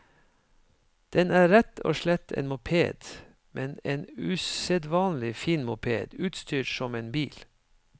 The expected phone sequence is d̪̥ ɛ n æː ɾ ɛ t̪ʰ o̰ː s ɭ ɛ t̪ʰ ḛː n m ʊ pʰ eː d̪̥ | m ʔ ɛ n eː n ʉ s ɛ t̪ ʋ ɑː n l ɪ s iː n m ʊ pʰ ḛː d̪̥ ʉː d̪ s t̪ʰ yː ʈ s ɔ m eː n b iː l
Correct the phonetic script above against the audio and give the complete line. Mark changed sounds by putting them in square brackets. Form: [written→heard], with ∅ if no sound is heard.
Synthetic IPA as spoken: d̪̥ ɛ n æː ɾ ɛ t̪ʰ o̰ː [s→ʃ] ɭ ɛ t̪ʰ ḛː n m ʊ pʰ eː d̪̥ | m ʔ ɛ n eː n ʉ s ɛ [t̪→d̪] ʋ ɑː n l ɪ [s→f] iː n m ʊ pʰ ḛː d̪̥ ʉː [d̪→t̪] s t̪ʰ yː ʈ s ɔ m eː n b iː l

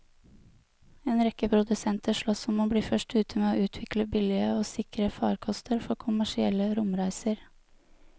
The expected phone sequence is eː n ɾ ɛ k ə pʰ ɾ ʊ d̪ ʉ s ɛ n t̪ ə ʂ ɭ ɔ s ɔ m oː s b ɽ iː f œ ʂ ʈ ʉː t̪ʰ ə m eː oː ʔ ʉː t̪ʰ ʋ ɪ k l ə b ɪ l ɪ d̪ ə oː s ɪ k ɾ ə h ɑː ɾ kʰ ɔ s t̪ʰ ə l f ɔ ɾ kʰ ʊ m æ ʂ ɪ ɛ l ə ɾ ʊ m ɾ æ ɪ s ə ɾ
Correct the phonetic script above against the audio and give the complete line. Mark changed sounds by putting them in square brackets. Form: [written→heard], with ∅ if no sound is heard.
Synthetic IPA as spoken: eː n ɾ ɛ k ə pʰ ɾ ʊ d̪ ʉ s ɛ n t̪ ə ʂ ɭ ɔ s ɔ m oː [s→∅] b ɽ iː f œ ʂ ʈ ʉː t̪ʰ ə m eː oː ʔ ʉː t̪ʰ ʋ ɪ k l ə b ɪ l ɪ [d̪→∅] ə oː s ɪ k ɾ ə [h→f] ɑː ɾ kʰ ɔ s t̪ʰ ə [l→ɾ] f ɔ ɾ kʰ ʊ m æ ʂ ɪ ɛ l ə ɾ ʊ m ɾ æ ɪ s ə ɾ

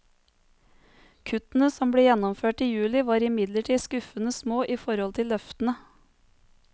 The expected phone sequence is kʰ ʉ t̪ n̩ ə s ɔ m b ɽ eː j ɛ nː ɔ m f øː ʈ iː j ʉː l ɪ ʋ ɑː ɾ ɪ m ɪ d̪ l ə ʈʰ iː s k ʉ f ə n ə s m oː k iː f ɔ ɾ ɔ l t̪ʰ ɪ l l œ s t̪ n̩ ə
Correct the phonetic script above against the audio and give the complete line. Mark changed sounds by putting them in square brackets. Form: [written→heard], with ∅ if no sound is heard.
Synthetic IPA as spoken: kʰ ʉ t̪ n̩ ə s ɔ m b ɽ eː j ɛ [nː→n] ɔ m f øː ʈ iː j ʉː l ɪ ʋ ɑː ɾ ɪ m ɪ d̪ l ə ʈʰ iː s k ʉ f ə n ə s m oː [k→ʔ] iː f ɔ ɾ ɔ l t̪ʰ ɪ l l œ [s→f] t̪ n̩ ə

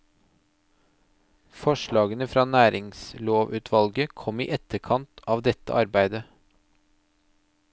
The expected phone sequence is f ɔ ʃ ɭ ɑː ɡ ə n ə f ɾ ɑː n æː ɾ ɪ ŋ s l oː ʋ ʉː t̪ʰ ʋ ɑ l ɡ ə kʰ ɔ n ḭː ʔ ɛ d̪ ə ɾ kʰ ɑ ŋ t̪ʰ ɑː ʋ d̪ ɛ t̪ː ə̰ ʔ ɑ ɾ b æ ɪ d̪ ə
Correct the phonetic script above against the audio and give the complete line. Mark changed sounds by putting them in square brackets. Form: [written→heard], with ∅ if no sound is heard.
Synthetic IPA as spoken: f ɔ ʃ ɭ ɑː ɡ ə n ə f ɾ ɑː n æː ɾ ɪ ŋ s l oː ʋ ʉː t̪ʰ ʋ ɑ l ɡ ə kʰ ɔ [n→m] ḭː ʔ ɛ [d̪→t̪] ə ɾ kʰ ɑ [ŋ→n] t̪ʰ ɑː ʋ d̪ ɛ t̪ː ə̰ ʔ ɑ ɾ b æ ɪ d̪ ə

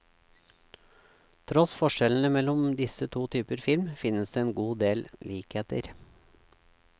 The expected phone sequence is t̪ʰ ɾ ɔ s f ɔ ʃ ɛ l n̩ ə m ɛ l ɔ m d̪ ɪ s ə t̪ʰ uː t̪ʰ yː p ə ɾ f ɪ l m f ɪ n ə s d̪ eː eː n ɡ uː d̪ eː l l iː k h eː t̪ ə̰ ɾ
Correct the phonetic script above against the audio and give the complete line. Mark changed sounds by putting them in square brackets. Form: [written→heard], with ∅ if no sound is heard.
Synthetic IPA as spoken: t̪ʰ ɾ ɔ s f ɔ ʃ ɛ l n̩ ə m ɛ l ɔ m d̪ ɪ s ə t̪ʰ uː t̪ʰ yː p ə ɾ f ɪ l m f ɪ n ə s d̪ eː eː n ɡ uː d̪ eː l l iː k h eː t̪ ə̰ ɾ

